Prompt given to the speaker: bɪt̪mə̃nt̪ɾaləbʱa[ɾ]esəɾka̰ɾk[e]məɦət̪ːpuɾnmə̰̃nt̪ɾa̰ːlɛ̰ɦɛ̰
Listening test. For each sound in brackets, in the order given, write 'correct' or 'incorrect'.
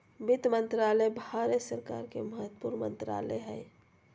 correct, correct

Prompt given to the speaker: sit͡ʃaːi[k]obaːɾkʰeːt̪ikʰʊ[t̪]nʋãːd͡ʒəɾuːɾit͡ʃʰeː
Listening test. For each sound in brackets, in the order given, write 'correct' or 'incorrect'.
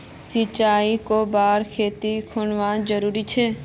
correct, incorrect: none

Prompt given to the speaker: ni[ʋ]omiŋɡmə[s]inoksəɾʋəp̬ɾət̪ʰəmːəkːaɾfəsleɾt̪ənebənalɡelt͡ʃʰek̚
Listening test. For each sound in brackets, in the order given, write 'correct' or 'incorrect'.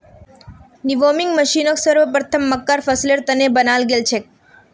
correct, incorrect: ʃ

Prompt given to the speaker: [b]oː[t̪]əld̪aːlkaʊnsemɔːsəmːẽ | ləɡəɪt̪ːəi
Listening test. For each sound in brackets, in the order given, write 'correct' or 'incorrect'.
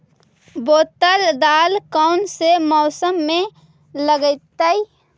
correct, correct

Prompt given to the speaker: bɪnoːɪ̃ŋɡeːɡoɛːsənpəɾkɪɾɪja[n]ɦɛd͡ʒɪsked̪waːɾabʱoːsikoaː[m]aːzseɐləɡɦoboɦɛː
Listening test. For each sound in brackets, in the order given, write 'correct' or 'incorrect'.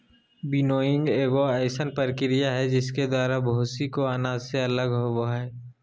incorrect: none, incorrect: n

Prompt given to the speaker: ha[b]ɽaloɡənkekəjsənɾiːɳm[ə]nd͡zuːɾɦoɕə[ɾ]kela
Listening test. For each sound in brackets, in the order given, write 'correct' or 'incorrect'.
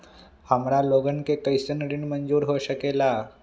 incorrect: m, correct, incorrect: none

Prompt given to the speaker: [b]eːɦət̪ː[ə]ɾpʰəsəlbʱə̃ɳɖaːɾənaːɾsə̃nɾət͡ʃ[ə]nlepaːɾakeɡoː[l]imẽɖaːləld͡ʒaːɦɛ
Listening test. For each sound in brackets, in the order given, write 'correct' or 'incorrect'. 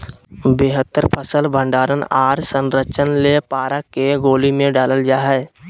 correct, correct, correct, correct

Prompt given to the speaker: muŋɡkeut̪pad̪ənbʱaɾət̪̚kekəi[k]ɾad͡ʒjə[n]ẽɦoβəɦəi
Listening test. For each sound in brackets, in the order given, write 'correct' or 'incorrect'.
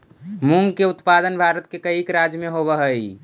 correct, incorrect: m

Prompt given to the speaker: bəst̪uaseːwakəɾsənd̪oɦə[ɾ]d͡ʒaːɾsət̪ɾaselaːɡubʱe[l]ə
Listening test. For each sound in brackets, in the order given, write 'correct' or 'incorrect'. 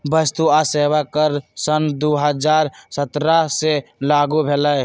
incorrect: none, correct

